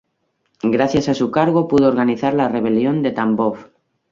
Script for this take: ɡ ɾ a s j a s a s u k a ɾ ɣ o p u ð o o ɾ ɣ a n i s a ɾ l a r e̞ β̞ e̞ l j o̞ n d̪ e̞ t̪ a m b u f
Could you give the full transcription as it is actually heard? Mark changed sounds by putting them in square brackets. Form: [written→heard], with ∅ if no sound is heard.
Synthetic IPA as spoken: ɡ ɾ a [s→θ] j a s a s u k a ɾ ɣ o p u ð o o ɾ ɣ a n i [s→θ] a ɾ l a r e̞ β̞ e̞ l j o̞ n d̪ e̞ t̪ a m b [u→o] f